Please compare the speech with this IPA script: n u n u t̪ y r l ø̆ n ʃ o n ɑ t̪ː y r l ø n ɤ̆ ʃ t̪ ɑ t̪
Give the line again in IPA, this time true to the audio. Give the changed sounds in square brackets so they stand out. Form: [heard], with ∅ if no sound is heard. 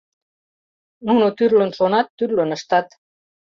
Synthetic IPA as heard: n u n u t̪ y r l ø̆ n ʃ o n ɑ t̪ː y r l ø n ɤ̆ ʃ t̪ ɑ t̪